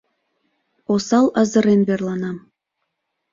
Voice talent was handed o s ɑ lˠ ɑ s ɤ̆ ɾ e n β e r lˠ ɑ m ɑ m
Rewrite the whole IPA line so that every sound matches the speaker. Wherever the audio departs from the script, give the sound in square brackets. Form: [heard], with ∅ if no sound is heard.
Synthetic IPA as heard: o s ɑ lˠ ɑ [z] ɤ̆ ɾ e n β e r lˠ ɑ [n] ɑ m